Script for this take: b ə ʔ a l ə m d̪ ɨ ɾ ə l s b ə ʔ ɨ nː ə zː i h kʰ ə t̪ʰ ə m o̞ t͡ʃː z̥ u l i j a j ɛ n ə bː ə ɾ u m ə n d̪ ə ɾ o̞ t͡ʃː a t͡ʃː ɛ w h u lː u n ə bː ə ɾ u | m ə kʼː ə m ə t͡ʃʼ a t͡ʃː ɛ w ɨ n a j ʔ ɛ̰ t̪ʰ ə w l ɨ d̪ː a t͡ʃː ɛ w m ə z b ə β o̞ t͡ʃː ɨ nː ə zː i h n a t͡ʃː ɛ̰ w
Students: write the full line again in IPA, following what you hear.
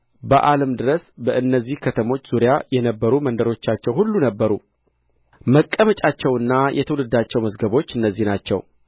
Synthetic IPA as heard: b ə ʔ a l ə m d̪ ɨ ɾ ə s b ə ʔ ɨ nː ə zː i h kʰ ə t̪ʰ ə m o̞ t͡ʃː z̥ u ɾ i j a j ɛ n ə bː ə ɾ u m ə n d̪ ə ɾ o̞ t͡ʃː a t͡ʃː ɛ w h u lː u n ə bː ə ɾ u | m ə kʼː ə m ə t͡ʃʼ a t͡ʃː ɛ w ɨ nː a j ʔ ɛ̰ t̪ʰ ə w l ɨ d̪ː a t͡ʃː ɛ w m ə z ɡ ə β o̞ t͡ʃː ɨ nː ə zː i h n a t͡ʃː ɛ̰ w